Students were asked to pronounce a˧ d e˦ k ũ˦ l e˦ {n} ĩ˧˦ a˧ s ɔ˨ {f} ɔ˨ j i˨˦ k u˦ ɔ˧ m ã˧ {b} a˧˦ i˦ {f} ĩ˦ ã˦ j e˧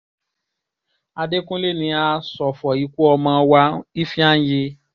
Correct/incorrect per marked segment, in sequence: correct, correct, incorrect: w, correct

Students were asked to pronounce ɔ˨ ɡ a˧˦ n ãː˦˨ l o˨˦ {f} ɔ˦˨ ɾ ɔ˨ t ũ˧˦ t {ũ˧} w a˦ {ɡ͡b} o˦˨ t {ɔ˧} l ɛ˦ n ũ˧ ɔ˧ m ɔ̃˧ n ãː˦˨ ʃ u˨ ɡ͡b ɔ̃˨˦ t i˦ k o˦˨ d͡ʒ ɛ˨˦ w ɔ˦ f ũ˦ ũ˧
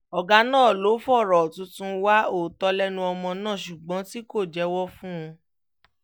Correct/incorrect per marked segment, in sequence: correct, correct, incorrect: none, correct

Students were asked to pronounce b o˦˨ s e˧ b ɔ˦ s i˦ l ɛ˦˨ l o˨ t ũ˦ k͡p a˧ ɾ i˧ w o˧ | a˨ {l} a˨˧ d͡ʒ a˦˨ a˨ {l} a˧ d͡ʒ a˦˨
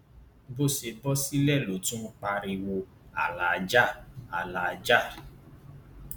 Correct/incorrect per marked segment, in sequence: correct, correct

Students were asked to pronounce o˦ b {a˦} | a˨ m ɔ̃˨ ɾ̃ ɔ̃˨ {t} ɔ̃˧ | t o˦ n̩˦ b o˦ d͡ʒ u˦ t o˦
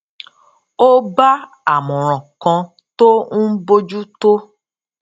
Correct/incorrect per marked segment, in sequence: correct, incorrect: k

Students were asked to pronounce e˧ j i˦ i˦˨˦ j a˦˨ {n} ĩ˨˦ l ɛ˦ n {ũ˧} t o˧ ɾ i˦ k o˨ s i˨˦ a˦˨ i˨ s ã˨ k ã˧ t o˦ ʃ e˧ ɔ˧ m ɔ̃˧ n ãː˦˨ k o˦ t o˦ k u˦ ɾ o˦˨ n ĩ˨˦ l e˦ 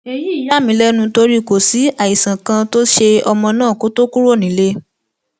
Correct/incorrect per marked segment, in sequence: incorrect: m, correct

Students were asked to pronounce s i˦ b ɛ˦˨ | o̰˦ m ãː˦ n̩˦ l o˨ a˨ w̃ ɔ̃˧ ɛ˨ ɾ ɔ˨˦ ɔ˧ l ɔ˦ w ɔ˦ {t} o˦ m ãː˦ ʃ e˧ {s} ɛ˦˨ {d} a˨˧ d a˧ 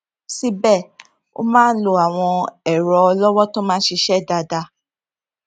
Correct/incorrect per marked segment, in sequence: correct, incorrect: ʃ, correct

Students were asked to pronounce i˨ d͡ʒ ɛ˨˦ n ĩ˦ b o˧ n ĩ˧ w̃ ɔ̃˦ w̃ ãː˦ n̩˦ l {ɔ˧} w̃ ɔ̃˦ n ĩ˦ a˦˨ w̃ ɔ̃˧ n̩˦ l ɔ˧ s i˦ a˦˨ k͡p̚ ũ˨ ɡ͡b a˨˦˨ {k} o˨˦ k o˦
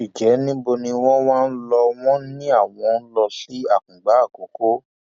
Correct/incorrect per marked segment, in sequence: correct, correct

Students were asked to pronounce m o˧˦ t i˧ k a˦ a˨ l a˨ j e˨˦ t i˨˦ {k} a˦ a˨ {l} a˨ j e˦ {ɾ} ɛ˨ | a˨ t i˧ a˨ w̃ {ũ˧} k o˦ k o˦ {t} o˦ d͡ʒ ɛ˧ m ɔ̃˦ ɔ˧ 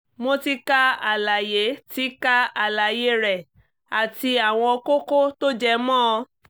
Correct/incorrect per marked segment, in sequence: correct, correct, correct, incorrect: ɔ̃˧, correct

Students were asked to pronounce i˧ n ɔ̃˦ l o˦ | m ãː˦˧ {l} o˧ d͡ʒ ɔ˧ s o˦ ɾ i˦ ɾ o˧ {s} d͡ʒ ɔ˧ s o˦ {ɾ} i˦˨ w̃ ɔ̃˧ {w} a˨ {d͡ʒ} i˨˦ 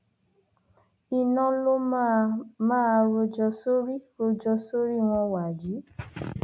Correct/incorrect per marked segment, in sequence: incorrect: ɾ, incorrect: none, correct, correct, correct

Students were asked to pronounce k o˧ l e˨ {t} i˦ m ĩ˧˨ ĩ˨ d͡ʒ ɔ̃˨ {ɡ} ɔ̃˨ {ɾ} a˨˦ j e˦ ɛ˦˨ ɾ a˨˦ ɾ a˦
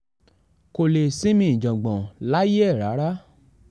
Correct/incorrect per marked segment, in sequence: incorrect: s, incorrect: ɡ͡b, incorrect: l

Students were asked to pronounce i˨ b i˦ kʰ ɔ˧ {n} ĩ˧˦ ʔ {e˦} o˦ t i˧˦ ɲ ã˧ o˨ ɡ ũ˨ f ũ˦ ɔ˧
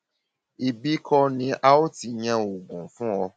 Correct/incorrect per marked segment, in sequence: correct, incorrect: a˦

